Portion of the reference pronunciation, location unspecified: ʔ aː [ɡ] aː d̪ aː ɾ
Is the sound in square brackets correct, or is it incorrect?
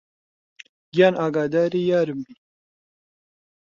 correct